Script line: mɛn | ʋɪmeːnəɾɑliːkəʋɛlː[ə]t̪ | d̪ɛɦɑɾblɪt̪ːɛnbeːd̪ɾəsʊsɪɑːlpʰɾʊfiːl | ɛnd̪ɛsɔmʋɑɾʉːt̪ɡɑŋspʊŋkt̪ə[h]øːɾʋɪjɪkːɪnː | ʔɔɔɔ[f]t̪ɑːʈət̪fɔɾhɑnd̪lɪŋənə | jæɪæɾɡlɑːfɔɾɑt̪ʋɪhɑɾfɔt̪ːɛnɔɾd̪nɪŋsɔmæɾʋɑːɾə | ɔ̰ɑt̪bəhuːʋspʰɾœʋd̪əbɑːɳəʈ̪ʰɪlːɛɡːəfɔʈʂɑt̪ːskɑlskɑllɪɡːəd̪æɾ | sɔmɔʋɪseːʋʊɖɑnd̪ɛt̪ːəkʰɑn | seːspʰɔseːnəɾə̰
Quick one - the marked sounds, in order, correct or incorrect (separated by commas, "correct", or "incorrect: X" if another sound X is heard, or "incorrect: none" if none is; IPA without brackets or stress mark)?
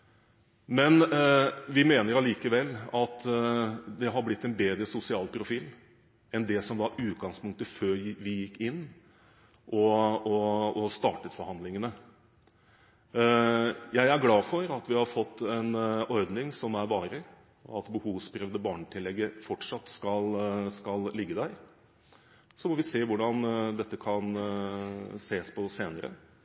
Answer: incorrect: ɑ, incorrect: f, incorrect: s